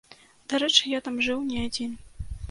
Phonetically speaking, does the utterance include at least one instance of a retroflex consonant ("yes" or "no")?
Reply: yes